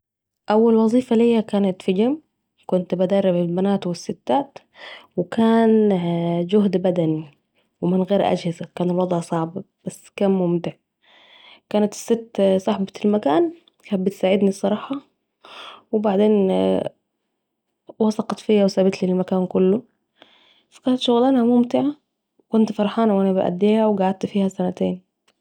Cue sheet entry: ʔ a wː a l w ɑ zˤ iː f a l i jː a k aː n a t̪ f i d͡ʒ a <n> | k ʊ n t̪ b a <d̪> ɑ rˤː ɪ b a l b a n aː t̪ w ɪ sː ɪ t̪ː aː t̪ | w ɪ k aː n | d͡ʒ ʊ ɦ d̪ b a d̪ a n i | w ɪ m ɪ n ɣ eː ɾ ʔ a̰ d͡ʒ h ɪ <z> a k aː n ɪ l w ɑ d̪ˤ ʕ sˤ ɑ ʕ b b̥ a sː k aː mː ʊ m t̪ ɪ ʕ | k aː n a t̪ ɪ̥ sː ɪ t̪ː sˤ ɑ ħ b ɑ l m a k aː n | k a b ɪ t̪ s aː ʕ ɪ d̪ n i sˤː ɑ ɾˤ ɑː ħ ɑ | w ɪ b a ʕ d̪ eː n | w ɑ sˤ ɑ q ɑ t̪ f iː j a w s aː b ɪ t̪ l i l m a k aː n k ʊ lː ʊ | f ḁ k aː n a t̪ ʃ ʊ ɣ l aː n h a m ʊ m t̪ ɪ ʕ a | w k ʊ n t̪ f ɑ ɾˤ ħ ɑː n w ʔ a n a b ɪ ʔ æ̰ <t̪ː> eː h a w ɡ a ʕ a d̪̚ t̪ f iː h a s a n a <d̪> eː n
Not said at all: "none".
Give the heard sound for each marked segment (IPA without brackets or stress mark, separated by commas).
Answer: m, d̪, z, d̪ː, t̪